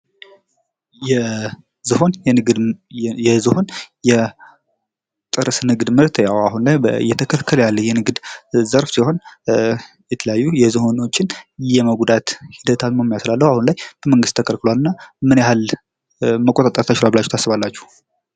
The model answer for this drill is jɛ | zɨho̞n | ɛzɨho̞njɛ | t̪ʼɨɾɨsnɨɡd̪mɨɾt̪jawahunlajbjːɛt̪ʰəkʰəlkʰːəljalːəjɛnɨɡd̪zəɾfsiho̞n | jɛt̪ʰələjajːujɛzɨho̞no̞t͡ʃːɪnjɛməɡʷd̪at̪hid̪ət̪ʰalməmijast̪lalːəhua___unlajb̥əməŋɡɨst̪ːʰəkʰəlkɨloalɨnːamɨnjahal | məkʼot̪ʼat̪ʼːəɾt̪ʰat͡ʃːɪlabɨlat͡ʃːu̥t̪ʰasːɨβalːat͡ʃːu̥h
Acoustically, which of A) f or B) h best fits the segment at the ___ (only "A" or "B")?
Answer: B